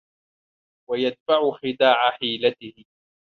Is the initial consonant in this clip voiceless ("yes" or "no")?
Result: no